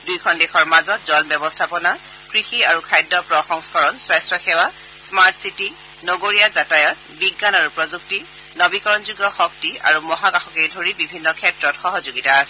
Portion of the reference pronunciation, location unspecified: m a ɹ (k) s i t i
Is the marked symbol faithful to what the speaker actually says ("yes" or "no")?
no